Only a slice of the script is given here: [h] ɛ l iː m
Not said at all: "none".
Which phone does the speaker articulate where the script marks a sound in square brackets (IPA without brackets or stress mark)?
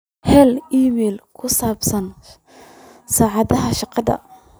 h